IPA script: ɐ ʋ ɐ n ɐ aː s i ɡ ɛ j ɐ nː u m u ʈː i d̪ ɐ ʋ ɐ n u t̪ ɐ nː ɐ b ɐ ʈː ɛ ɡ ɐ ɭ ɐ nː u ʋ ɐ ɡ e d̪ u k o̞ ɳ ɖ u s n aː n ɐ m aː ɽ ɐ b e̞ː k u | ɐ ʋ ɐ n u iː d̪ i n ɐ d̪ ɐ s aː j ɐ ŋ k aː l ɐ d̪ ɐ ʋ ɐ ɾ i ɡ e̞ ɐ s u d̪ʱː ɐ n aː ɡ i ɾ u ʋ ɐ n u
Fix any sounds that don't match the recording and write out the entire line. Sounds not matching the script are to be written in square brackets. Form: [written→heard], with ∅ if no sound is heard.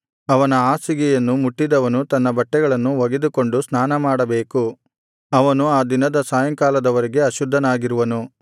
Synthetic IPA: ɐ ʋ ɐ n ɐ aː s i ɡ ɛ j ɐ nː u m u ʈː i d̪ ɐ ʋ ɐ n u t̪ ɐ nː ɐ b ɐ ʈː ɛ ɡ ɐ ɭ ɐ nː u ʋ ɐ ɡ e d̪ u k o̞ ɳ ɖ u s n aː n ɐ m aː ɽ ɐ b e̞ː k u | ɐ ʋ ɐ n u [iː→aː] d̪ i n ɐ d̪ ɐ s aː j ɐ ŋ k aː l ɐ d̪ ɐ ʋ ɐ ɾ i ɡ e̞ ɐ [s→ʃ] u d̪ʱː ɐ n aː ɡ i ɾ u ʋ ɐ n u

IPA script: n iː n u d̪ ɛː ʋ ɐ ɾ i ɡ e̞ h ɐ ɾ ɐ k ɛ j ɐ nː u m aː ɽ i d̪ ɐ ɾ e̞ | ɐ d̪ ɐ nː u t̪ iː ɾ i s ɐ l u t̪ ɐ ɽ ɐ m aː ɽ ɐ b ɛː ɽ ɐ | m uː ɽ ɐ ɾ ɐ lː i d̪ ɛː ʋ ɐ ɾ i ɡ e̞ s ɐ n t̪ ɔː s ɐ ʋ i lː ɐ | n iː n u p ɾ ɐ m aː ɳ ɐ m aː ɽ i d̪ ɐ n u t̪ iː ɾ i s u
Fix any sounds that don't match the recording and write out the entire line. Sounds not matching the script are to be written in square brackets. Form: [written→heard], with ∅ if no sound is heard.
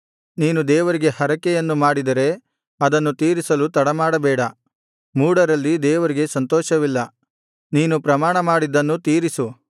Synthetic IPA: n iː n u d̪ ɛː ʋ ɐ ɾ i ɡ e̞ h ɐ ɾ ɐ k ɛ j ɐ nː u m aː ɽ i d̪ ɐ ɾ e̞ | ɐ d̪ ɐ nː u t̪ iː ɾ i s ɐ l u t̪ ɐ ɽ ɐ m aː ɽ ɐ b ɛː ɽ ɐ | m uː ɽ ɐ ɾ ɐ lː i d̪ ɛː ʋ ɐ ɾ i ɡ e̞ s ɐ n t̪ ɔː [s→ʃ] ɐ ʋ i lː ɐ | n iː n u p ɾ ɐ m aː ɳ ɐ m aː ɽ i d̪ ɐ [n→nː] u t̪ iː ɾ i s u

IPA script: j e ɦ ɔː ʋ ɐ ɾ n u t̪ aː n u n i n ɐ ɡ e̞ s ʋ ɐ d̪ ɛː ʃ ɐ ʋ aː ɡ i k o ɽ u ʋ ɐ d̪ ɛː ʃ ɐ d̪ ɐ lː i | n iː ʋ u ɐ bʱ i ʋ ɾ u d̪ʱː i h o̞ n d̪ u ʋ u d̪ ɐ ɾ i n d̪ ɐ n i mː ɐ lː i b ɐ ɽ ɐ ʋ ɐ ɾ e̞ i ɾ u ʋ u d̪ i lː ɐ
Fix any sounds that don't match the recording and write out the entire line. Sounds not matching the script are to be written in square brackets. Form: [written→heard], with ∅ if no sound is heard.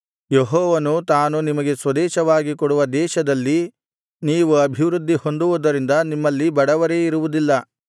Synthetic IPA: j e ɦ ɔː ʋ ɐ [ɾ→∅] n u t̪ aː n u n i [n→m] ɐ ɡ e̞ s ʋ ɐ d̪ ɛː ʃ ɐ ʋ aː ɡ i k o ɽ u ʋ ɐ d̪ ɛː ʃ ɐ d̪ ɐ lː i | n iː ʋ u ɐ bʱ i ʋ ɾ u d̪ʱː i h o̞ n d̪ u ʋ u d̪ ɐ ɾ i n d̪ ɐ n i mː ɐ lː i b ɐ ɽ ɐ ʋ ɐ ɾ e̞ i ɾ u ʋ u d̪ i lː ɐ

